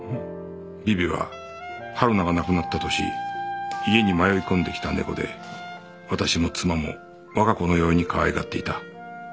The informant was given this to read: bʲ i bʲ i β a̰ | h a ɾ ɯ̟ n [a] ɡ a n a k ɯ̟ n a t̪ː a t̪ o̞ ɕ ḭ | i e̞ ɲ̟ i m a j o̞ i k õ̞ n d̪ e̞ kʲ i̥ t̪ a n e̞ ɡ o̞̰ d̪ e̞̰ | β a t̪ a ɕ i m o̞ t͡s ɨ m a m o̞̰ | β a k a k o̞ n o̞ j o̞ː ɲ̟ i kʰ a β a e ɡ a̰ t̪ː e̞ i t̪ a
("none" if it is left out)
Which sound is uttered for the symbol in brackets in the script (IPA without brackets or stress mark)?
a